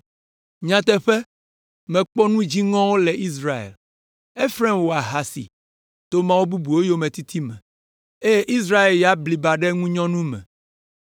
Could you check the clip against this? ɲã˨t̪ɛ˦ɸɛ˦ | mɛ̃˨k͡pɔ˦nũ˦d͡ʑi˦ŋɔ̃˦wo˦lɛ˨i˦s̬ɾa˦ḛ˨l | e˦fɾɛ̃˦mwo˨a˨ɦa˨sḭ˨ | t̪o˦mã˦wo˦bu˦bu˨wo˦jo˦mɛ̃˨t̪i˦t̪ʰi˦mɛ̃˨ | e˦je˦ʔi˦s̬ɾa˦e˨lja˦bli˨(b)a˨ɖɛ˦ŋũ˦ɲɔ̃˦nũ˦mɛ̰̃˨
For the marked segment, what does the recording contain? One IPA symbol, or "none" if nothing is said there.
b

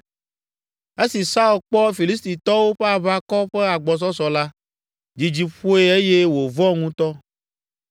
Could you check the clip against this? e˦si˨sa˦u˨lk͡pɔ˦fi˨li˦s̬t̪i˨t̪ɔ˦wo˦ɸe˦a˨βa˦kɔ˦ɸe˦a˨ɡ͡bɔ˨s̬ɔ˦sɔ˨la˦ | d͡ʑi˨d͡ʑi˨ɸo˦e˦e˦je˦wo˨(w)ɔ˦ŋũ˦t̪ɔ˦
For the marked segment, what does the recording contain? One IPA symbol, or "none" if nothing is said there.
v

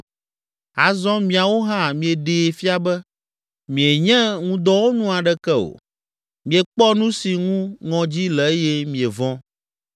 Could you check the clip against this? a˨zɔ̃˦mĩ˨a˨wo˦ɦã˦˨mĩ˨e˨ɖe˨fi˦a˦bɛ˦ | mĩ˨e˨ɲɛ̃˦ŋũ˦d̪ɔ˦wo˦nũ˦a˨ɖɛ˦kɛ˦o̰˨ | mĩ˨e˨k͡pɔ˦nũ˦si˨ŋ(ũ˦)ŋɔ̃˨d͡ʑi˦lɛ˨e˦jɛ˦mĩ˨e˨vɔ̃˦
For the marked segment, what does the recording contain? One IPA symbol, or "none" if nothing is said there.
ũ˦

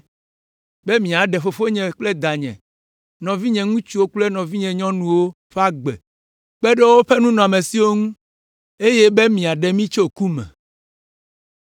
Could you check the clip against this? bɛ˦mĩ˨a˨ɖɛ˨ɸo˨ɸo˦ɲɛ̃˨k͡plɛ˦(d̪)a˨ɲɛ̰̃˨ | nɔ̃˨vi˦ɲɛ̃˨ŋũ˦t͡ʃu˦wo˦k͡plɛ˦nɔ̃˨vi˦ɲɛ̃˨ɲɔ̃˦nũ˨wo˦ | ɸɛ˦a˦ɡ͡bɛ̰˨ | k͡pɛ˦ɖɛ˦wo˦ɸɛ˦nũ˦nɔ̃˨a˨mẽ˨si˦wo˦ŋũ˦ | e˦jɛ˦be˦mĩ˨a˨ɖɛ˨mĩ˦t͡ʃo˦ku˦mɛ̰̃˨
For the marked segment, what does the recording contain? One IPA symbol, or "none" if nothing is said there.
d̪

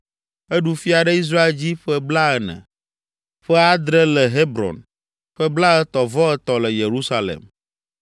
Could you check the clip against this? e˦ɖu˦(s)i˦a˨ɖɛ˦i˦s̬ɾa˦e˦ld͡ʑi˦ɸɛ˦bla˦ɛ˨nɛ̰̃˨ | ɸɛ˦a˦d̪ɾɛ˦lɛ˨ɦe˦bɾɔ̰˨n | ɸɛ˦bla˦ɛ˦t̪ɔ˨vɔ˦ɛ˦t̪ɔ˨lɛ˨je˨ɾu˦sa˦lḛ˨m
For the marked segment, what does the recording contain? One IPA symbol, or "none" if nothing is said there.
f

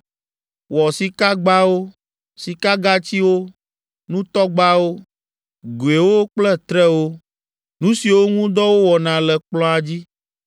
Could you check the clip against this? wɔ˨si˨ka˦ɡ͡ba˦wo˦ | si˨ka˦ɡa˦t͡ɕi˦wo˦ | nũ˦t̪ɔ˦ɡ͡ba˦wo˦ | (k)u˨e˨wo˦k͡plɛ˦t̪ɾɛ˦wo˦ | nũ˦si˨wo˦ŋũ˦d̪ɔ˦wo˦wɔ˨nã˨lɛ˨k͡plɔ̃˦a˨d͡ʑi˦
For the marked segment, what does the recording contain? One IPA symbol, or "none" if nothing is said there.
ɡ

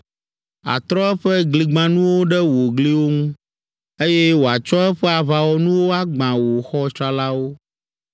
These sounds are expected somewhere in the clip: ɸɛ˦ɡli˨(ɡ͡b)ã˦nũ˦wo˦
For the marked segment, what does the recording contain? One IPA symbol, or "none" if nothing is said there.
ɡ͡b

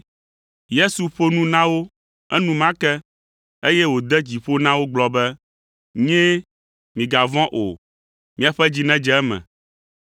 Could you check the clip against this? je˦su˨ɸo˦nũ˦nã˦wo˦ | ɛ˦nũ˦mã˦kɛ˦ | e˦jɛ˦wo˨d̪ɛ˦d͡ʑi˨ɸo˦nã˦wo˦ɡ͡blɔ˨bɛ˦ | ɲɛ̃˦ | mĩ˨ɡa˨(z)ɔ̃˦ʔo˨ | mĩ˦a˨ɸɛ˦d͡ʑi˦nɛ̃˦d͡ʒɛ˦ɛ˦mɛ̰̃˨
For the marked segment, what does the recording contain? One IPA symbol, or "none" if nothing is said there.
v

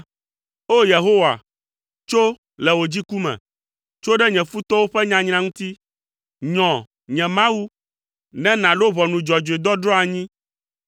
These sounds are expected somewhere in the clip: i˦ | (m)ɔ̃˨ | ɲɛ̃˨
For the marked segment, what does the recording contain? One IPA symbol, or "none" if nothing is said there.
ɲ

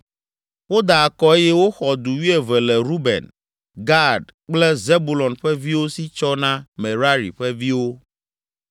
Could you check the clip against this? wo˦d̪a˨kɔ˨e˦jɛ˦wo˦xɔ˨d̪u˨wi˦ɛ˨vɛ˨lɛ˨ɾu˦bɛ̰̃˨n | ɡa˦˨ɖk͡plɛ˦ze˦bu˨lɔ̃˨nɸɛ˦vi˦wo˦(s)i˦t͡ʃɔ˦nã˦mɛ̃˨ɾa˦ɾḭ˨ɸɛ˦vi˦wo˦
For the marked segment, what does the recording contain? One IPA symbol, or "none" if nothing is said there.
s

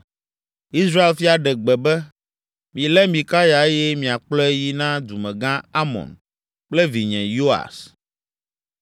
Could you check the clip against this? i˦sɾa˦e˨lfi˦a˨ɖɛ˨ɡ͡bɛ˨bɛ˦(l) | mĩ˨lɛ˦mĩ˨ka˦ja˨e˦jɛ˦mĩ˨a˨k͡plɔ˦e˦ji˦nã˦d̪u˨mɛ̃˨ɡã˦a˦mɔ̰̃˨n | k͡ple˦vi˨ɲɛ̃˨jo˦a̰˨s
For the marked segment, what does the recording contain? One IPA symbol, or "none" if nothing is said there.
none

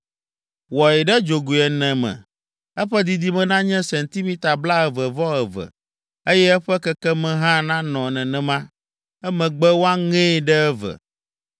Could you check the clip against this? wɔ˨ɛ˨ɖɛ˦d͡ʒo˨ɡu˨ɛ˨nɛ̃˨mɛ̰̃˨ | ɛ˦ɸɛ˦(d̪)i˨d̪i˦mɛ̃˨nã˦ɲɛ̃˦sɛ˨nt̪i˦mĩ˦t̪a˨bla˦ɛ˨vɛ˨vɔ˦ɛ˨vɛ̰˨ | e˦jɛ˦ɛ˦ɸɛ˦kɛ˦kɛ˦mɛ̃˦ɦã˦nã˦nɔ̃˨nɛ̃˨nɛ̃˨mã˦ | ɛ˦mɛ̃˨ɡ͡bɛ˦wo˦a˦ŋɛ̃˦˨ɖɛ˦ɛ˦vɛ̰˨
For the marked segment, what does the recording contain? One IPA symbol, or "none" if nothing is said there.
d̪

